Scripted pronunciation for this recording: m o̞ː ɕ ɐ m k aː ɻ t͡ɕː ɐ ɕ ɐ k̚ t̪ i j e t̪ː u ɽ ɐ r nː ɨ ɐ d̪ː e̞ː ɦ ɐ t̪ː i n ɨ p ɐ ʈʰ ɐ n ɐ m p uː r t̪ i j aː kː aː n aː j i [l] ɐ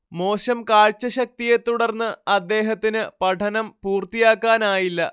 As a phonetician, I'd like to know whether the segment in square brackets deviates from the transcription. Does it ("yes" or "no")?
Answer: yes